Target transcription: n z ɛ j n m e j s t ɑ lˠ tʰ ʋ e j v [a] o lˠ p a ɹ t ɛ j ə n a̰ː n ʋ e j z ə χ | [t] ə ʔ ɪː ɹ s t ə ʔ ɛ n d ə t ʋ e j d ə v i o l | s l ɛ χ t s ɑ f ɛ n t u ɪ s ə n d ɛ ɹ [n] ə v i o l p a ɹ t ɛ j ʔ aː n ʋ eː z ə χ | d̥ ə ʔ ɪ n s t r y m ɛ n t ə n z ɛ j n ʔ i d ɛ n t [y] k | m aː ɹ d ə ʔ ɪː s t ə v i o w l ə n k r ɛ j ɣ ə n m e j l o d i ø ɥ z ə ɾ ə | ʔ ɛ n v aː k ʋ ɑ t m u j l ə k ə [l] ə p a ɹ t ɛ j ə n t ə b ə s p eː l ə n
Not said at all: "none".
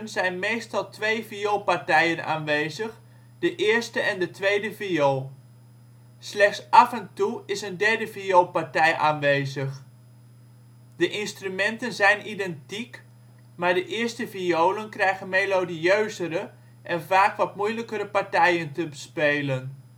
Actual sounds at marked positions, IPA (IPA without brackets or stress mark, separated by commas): i, d, d, i, ɾ